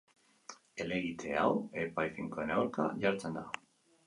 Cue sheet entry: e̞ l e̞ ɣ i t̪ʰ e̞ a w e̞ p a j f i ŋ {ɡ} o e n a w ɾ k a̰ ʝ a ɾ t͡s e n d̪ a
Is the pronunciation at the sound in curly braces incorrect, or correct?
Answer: incorrect